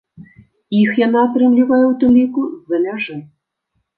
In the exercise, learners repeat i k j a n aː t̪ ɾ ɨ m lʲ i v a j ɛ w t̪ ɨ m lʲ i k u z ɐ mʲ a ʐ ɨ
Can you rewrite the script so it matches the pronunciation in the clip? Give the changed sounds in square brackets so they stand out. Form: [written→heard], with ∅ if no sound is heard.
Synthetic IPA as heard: i [k→x] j a n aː t̪ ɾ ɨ m lʲ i v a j ɛ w t̪ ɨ m lʲ i k u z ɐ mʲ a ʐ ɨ